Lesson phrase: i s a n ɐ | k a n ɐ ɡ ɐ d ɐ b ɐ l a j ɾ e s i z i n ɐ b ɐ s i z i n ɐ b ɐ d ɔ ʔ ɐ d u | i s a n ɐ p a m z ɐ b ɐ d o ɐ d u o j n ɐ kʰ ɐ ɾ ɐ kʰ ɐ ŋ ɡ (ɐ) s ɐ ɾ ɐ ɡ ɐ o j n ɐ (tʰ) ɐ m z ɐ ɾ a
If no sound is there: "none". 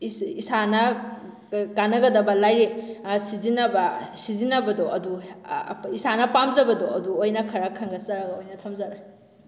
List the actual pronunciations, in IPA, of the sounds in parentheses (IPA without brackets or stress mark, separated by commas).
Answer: ɐ, tʰ